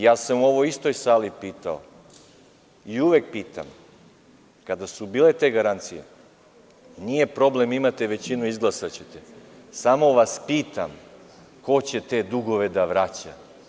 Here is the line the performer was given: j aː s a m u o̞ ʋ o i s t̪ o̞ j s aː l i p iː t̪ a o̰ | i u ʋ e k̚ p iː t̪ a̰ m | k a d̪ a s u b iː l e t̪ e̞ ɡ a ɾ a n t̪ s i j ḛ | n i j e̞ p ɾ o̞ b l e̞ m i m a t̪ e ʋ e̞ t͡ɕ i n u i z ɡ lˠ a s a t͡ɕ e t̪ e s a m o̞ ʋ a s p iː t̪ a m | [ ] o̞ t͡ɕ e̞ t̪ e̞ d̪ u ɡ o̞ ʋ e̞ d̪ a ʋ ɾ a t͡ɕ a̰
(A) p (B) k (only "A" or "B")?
B